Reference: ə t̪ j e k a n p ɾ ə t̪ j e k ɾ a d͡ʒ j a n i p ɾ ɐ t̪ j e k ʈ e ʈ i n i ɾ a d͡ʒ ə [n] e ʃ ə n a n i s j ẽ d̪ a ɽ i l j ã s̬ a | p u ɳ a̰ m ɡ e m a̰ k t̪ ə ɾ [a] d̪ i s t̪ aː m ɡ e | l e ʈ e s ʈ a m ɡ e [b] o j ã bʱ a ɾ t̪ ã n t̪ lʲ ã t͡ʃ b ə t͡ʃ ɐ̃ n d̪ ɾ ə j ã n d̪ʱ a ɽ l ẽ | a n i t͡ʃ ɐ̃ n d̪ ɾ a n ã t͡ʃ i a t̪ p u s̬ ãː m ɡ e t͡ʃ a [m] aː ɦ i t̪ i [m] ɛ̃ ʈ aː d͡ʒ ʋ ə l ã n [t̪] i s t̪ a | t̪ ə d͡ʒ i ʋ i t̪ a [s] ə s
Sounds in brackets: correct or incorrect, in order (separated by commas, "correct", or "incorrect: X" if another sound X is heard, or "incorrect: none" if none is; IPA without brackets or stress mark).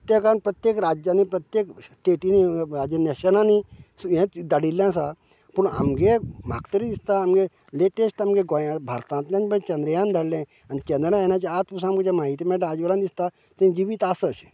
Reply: correct, incorrect: i, incorrect: ɡ, correct, correct, incorrect: d̪, correct